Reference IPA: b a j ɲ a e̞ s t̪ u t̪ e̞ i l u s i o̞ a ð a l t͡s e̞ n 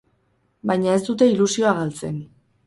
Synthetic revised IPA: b a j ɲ a e̞ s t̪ u t̪ e̞ i l u s i o̞ a ɣ a l t͡s e̞ n

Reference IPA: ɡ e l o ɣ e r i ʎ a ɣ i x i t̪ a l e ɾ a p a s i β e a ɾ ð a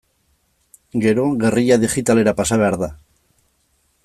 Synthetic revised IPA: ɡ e ɾ o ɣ e r i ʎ a ð i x i t̪ a l e ɾ a p a s a β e a ɾ ð a

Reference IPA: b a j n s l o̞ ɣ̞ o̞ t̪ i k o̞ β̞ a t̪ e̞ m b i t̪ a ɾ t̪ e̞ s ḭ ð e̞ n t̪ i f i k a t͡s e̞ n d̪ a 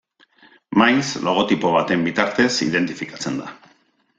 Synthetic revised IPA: m a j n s l o̞ ɣ̞ o̞ t̪ i p o̞ β̞ a t̪ e̞ m b i t̪ a ɾ t̪ e̞ s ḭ ð e̞ n t̪ i f i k a t͡s e̞ n d̪ a

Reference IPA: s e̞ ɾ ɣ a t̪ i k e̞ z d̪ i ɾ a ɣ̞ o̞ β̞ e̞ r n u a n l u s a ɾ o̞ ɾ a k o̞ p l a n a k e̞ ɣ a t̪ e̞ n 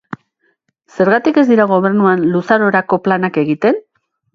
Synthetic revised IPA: s e̞ ɾ ɣ a t̪ i k e̞ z d̪ i ɾ a ɣ̞ o̞ β̞ e̞ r n u a n l u s a ɾ o̞ ɾ a k o̞ p l a n a k e̞ ɣ i t̪ e̞ n

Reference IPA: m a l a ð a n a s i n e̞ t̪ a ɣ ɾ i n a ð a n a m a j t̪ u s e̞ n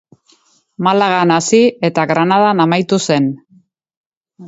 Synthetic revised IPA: m a l a ɣ a n a s i e̞ t̪ a ɣ ɾ a n a ð a n a m a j t̪ u s e̞ n

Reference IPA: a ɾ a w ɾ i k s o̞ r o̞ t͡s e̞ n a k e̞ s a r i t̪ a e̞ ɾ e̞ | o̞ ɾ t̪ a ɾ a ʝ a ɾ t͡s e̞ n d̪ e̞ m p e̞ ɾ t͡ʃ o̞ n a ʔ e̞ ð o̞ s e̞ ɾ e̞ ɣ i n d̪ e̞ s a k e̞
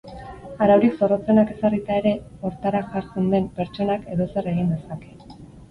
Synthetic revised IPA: a ɾ a w ɾ i k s o̞ r o̞ t͡s e̞ n a k e̞ s a r i t̪ a e̞ ɾ e̞ | o̞ ɾ t̪ a ɾ a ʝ a ɾ t͡s e̞ n d̪ e̞ m p e̞ ɾ t͡ʃ o̞ n a k e̞ ð o̞ s e̞ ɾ e̞ ɣ i n d̪ e̞ s a k e̞

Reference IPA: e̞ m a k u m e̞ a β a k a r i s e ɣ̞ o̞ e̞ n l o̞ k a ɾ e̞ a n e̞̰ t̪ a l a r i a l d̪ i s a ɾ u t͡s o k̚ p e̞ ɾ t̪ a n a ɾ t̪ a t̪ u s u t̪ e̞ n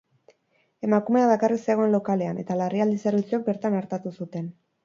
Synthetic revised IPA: e̞ m a k u m e̞ a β a k a r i s e ɣ̞ o̞ e̞ n l o̞ k a l e̞ a n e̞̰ t̪ a l a r i a l d̪ i s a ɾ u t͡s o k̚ b e̞ ɾ t̪ a n a ɾ t̪ a t̪ u s u t̪ e̞ n

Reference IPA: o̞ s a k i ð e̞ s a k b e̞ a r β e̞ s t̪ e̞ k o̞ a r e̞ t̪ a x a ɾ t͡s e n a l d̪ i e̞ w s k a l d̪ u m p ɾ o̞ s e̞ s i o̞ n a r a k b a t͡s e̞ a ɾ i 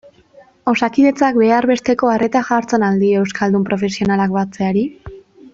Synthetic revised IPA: o̞ s a k i ð e̞ t͡s a k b e̞ a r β e̞ s t̪ e̞ k o̞ a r e̞ t̪ a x a ɾ t͡s e n a l d̪ i e̞ w s k a l d̪ u m p ɾ o̞ f e̞ s i o̞ n a l a k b a t͡s e̞ a ɾ i

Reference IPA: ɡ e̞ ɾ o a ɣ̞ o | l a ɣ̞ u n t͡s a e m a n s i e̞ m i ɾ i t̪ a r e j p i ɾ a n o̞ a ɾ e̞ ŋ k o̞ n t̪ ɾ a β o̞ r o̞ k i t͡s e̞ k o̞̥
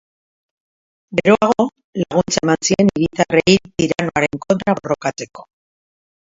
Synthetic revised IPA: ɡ e̞ ɾ o a ɣ̞ o | l a ɣ̞ u n t͡s a e m a n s i e̞ n i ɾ i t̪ a r e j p i ɾ a n o̞ a ɾ e̞ ŋ k o̞ n t̪ ɾ a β o̞ r o̞ k a t͡s e̞ k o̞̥

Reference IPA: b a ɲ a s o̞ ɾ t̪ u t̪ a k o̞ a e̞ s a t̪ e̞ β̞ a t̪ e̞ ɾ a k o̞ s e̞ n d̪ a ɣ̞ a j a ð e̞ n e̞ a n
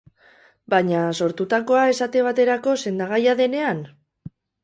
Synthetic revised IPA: b a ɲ a s o̞ ɾ t̪ u t̪ a k o̞ a e̞ s a t̪ e̞ β̞ a t̪ e̞ ɾ a k o̞ s e̞ n d̪ a ɣ̞ a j a ð e̞ n e̞ a n

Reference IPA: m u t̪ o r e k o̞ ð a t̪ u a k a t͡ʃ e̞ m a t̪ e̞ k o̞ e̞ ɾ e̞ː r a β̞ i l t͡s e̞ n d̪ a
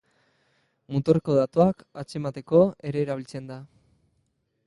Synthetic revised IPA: m u t̪ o r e k o̞ ð a t̪ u a k a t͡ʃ e̞ m a t̪ e̞ k o̞ e̞ ɾ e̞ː ɾ a β̞ i l t͡s e̞ n d̪ a

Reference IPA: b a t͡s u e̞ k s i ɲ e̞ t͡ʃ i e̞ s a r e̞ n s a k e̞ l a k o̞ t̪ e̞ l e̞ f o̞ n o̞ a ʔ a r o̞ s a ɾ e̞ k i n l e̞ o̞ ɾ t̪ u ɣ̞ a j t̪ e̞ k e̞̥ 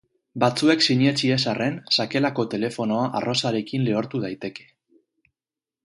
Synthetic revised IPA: b a t͡s u e̞ k s i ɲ e̞ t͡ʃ i e̞ s a r e̞ n s a k e̞ l a k o̞ t̪ e̞ l e̞ f o̞ n o̞ a ʔ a r o̞ s a ɾ e̞ k i n l e̞ o̞ ɾ t̪ u ð̞ a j t̪ e̞ k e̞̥

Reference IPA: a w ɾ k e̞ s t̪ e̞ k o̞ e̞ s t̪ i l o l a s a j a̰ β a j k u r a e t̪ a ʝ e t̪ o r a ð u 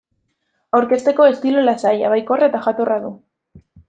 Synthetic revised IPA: a w ɾ k e̞ s t̪ e̞ k o̞ e̞ s t̪ i l o l a s a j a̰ β a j k o r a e t̪ a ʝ a t̪ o r a ð u

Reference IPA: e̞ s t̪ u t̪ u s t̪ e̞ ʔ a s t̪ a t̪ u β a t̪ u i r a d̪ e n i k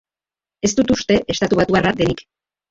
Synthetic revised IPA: e̞ s t̪ u t̪ u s t̪ e̞ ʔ e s t̪ a t̪ u β a t̪ u a r a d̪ e n i k

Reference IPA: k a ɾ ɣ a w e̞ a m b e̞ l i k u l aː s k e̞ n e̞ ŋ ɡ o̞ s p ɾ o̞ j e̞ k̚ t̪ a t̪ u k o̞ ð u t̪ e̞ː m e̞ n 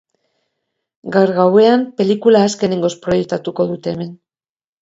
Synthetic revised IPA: ɡ a ɾ ɣ a w e̞ a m p e̞ l i k u l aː s k e̞ n e̞ ŋ ɡ o̞ s p ɾ o̞ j e̞ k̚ t̪ a t̪ u k o̞ ð u t̪ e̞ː m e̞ n

